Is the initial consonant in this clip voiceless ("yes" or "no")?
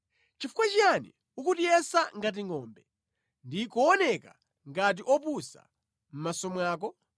yes